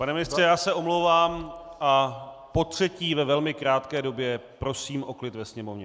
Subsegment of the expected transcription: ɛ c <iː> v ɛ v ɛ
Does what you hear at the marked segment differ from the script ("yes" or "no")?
no